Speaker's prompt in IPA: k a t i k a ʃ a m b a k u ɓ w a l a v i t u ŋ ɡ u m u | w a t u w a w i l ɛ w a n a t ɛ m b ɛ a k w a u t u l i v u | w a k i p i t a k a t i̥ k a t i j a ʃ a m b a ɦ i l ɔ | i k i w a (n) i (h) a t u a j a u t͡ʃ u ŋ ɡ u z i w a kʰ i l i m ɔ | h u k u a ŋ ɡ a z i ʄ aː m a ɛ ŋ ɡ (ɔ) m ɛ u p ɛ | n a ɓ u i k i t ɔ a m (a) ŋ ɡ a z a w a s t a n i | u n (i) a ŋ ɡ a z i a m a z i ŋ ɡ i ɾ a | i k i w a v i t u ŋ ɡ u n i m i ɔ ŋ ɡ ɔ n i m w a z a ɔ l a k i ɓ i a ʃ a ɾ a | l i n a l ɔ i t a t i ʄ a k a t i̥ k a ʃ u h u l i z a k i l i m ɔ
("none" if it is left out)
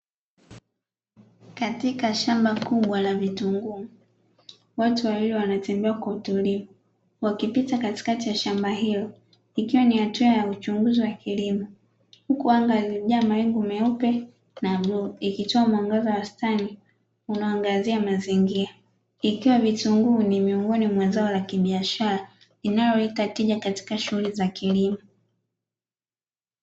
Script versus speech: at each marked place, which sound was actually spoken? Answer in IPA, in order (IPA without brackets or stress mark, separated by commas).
n, h, u, a, a